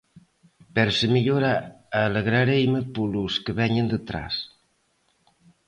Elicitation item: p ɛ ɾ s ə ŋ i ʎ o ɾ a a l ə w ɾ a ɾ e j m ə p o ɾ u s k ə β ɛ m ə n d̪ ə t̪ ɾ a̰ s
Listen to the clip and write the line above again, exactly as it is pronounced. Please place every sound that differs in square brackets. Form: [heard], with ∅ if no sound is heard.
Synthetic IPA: p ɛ ɾ s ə [m] i ʎ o ɾ a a l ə [ɣ] ɾ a ɾ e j m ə p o [l] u s k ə β ɛ [ɲ] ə n d̪ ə t̪ ɾ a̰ s